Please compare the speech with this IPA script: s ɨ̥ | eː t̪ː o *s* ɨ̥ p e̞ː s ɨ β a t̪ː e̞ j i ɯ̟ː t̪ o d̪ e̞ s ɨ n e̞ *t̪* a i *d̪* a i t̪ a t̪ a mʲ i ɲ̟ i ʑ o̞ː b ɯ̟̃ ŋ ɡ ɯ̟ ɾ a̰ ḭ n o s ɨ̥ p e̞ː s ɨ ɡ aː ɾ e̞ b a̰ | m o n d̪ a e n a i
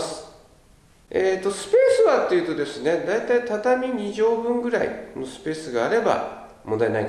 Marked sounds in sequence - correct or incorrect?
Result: correct, incorrect, incorrect

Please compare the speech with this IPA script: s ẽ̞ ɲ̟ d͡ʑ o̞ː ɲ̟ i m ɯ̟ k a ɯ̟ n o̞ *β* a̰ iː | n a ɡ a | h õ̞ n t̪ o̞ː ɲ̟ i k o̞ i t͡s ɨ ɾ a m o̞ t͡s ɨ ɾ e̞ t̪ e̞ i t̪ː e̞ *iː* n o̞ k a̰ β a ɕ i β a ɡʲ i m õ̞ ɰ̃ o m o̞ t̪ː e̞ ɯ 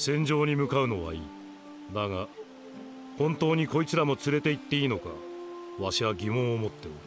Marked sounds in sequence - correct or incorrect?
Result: correct, correct

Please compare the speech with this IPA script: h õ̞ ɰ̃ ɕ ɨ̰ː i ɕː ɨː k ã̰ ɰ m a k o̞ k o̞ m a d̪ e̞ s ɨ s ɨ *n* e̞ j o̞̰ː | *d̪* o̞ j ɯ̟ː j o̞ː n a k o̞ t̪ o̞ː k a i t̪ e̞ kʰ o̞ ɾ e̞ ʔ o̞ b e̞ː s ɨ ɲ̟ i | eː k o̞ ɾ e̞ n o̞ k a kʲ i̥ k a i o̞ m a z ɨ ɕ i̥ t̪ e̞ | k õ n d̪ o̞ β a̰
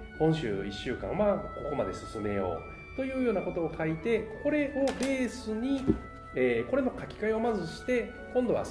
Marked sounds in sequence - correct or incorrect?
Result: incorrect, incorrect

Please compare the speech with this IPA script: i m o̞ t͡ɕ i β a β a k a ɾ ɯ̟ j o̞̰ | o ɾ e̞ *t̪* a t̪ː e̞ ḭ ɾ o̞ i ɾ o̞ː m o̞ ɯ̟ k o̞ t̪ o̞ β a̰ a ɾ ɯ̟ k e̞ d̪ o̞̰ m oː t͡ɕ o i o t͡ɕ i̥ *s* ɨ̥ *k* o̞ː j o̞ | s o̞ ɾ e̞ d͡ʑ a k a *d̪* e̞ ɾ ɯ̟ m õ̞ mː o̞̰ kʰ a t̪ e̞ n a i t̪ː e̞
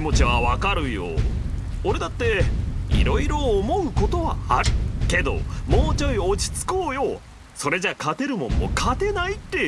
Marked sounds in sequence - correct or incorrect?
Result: incorrect, incorrect, correct, incorrect

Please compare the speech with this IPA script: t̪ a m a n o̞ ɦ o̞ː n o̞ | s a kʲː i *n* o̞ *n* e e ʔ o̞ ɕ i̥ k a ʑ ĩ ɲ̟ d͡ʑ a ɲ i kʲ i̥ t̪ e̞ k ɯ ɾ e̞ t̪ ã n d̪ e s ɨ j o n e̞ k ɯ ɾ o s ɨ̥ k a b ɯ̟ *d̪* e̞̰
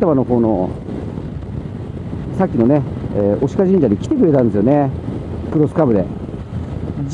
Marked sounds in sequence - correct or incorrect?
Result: correct, correct, correct

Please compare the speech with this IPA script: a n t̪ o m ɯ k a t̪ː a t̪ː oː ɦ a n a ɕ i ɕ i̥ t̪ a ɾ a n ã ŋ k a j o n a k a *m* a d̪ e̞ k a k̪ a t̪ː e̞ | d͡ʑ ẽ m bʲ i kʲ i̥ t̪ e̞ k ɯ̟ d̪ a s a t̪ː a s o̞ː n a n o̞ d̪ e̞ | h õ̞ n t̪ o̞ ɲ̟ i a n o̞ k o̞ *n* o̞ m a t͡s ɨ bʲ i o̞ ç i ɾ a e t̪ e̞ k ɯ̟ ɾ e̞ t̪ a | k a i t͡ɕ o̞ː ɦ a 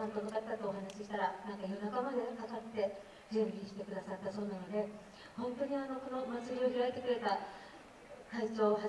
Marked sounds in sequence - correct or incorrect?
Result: correct, correct

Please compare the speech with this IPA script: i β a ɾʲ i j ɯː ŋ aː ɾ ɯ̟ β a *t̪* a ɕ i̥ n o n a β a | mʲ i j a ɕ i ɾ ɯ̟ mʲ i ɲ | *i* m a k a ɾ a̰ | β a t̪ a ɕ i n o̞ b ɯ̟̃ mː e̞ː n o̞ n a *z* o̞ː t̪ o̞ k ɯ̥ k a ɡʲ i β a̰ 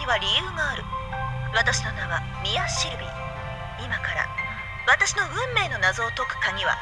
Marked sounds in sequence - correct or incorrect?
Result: correct, correct, correct

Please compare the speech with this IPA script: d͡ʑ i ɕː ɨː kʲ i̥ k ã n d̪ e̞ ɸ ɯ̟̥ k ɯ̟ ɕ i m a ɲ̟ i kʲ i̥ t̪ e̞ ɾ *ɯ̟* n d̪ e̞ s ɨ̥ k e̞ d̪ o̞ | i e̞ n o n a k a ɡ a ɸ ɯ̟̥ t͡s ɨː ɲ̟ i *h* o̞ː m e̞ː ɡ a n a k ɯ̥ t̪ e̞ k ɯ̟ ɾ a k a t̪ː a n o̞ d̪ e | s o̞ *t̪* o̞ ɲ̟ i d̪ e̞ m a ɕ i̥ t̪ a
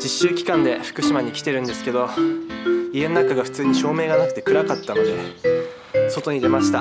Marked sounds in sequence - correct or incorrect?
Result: incorrect, incorrect, correct

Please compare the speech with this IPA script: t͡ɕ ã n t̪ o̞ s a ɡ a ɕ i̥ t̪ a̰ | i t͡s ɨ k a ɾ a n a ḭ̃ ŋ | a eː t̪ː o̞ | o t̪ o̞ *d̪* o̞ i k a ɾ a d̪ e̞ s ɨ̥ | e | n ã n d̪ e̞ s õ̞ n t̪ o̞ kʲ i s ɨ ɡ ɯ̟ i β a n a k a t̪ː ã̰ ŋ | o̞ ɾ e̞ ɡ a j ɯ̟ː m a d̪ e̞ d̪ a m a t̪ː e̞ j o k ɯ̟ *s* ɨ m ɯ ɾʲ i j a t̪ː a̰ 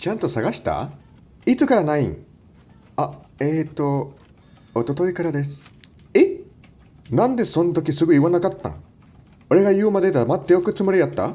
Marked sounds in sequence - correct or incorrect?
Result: incorrect, incorrect

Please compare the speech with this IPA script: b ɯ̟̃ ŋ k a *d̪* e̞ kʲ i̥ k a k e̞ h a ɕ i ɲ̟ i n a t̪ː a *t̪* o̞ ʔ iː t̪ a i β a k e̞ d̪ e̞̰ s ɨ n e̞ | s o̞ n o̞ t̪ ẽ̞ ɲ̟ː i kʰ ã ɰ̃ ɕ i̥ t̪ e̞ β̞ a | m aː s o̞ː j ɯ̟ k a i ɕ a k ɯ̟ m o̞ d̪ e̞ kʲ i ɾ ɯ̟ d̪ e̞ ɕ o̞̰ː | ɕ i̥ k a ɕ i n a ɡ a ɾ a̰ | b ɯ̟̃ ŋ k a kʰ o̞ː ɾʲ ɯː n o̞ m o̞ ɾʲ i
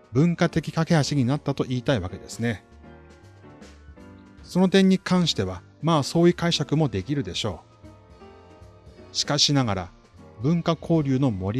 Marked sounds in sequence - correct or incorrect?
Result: incorrect, correct

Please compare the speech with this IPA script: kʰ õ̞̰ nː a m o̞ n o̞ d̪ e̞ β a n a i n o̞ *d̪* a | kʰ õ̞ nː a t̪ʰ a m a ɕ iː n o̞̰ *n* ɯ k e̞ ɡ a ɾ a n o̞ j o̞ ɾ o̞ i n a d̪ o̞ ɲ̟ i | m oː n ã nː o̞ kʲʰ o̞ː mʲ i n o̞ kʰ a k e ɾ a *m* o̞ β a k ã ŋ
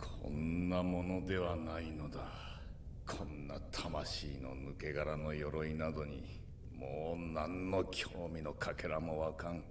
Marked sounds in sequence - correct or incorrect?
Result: correct, correct, correct

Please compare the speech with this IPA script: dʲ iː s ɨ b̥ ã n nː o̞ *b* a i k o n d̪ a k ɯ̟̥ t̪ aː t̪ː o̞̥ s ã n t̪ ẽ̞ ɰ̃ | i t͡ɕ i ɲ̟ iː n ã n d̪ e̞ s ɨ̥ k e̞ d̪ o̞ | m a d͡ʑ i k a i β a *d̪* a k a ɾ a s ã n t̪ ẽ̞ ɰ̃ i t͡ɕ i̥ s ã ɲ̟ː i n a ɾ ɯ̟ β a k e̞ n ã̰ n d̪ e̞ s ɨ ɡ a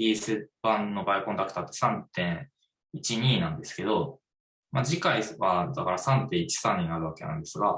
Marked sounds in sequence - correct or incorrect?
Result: correct, correct

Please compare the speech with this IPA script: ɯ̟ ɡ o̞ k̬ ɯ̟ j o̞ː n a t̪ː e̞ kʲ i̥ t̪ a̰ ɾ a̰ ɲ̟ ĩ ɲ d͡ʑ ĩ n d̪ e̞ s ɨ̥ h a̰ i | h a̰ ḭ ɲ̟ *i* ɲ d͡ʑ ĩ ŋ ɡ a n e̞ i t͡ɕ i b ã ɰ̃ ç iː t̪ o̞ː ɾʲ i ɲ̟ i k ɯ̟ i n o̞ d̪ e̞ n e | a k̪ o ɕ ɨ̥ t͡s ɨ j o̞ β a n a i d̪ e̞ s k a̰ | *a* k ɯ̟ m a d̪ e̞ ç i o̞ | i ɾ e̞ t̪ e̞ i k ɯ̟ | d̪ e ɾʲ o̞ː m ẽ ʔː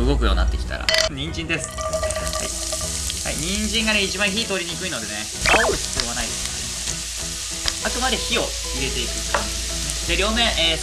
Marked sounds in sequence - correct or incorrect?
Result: incorrect, correct

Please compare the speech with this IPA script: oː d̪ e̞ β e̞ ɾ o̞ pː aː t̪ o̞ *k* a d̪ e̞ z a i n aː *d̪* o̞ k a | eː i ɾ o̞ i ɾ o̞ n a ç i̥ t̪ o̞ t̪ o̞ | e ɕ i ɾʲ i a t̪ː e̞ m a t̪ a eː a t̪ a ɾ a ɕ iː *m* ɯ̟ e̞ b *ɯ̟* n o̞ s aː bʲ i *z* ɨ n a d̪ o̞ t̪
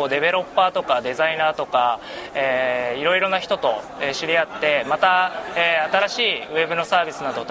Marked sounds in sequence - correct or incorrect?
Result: correct, incorrect, incorrect, correct, incorrect

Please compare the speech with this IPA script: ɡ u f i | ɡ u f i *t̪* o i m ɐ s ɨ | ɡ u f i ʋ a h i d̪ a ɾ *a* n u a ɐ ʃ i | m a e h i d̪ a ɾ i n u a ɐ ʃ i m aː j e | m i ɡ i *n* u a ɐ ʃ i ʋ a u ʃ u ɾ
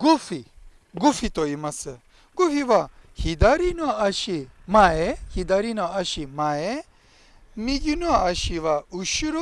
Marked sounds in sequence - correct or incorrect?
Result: correct, incorrect, correct

